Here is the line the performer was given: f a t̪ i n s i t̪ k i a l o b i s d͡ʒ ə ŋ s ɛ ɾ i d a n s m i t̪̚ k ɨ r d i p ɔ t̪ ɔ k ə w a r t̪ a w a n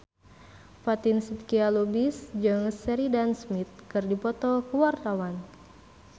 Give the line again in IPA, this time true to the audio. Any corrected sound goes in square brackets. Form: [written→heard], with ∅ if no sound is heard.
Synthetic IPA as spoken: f a t̪ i n s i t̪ k i a l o b i s d͡ʒ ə ŋ s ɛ ɾ i d a n s m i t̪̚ k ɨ r d i p ɔ t̪ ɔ k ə w a r t̪ a w a n